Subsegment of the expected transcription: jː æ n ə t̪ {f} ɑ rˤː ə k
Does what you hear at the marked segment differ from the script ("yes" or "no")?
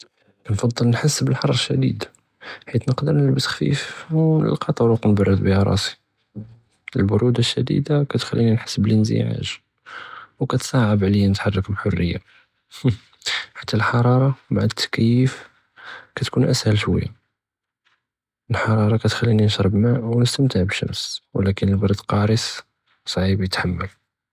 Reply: yes